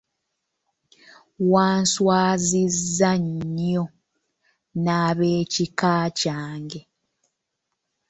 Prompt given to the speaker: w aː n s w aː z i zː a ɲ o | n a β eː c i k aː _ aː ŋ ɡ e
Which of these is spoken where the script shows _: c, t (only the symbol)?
c